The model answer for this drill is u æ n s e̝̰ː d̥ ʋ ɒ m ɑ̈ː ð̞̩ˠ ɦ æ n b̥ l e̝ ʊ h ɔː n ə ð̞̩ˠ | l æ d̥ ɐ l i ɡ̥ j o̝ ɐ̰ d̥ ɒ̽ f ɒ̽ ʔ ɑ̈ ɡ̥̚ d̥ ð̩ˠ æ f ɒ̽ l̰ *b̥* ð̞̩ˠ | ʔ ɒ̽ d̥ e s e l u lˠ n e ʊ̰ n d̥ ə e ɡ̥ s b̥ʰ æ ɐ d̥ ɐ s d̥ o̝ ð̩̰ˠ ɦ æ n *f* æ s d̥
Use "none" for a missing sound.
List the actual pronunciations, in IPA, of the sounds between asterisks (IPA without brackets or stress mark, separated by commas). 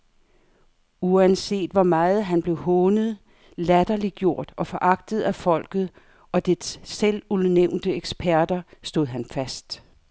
ɡ̥, f